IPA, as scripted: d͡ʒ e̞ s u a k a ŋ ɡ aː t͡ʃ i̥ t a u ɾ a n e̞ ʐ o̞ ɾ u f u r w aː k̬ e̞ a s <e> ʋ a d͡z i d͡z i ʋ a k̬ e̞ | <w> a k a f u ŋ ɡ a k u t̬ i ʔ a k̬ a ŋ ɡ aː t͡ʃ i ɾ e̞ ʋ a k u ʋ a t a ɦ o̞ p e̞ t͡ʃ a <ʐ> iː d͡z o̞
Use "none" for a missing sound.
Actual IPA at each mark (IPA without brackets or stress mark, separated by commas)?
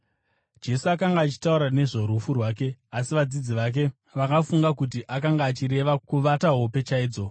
i, ʋ, none